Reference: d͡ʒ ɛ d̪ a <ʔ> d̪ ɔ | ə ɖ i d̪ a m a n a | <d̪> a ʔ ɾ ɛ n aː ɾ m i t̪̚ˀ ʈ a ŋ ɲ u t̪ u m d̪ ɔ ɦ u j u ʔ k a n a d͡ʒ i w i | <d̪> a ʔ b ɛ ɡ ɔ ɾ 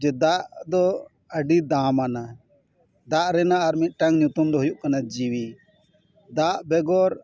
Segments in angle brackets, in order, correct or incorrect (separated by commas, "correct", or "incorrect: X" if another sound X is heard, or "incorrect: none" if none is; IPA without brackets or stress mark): correct, correct, correct